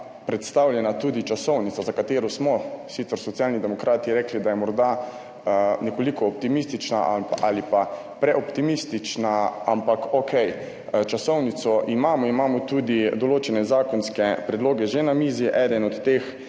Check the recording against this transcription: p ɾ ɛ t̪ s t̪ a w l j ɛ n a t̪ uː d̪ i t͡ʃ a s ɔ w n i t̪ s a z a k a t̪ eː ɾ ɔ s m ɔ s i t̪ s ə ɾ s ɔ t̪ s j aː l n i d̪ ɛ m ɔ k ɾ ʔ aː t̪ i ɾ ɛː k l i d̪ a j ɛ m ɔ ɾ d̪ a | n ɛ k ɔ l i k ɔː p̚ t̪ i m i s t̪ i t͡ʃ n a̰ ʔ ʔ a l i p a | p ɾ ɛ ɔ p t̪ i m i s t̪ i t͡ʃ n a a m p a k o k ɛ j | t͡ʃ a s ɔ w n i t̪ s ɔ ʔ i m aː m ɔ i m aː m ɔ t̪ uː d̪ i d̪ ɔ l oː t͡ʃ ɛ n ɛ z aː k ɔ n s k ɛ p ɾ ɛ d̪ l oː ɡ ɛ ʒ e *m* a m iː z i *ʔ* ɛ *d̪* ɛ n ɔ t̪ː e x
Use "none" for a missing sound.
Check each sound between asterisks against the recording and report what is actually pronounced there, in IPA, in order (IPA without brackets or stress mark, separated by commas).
n, ʔ, d̪